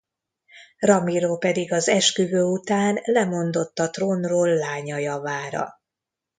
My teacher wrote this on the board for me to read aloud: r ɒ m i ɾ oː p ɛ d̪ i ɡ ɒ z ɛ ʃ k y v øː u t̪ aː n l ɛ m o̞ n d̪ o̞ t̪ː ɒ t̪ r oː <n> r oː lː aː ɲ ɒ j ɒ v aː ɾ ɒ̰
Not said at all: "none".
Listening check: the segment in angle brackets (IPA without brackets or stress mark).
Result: n